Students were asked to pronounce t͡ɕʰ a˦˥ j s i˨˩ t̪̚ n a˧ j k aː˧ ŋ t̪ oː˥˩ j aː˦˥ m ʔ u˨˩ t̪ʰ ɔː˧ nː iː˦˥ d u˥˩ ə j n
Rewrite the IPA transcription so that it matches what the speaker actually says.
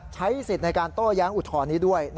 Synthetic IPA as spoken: t͡ɕʰ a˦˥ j s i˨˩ t̪̚ n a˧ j k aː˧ n t̪ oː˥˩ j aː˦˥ ŋ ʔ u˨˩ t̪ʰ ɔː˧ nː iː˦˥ d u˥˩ ə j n

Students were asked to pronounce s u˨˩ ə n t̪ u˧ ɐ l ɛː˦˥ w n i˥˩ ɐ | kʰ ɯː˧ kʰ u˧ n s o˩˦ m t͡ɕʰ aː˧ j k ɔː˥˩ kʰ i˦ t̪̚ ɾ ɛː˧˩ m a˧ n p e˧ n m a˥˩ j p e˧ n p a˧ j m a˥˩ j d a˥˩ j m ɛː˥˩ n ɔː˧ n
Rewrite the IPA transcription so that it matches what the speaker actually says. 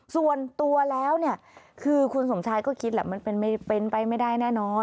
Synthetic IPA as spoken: s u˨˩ ə n t̪ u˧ ɐ l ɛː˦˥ w n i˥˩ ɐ | kʰ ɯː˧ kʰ u˧ n s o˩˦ m t͡ɕʰ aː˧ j k ɔː˥˩ kʰ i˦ t̪̚ l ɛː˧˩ m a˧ n p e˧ n m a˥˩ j p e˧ n p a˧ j m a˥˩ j d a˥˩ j n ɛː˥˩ n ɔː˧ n

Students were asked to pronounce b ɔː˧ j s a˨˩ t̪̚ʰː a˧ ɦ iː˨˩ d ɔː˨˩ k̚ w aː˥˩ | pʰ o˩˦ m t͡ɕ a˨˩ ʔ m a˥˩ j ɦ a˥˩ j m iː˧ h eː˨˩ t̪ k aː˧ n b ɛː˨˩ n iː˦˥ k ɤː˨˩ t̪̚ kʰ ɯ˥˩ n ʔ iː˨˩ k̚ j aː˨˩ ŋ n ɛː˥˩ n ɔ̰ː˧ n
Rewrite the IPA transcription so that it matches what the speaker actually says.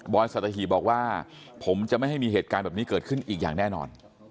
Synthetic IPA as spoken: b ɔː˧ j s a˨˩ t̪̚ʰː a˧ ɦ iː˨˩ b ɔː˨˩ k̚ w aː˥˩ | pʰ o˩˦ m t͡ɕ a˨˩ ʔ m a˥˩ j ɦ a˥˩ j m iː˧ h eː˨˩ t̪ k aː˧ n b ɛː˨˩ n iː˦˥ k ɤː˨˩ t̪̚ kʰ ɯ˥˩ n ʔ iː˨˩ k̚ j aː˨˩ ŋ n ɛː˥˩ n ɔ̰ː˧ n

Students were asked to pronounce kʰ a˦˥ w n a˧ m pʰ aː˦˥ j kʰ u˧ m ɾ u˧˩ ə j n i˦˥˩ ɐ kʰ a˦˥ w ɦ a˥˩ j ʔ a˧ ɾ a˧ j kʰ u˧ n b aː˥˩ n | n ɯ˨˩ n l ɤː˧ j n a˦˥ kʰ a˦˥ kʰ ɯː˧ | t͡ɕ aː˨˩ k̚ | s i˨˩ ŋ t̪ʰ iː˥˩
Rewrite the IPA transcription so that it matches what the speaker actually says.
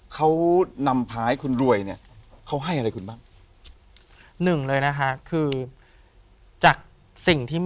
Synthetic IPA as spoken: kʰ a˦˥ w n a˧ m pʰ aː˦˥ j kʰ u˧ n ɾ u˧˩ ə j n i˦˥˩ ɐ kʰ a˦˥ w ɦ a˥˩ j ʔ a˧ ɾ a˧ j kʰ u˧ n b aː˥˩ ŋ | n ɯ˨˩ ŋ l ɤː˧ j n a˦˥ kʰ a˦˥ kʰ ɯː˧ | t͡ɕ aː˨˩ k̚ | s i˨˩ ŋ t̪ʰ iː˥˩

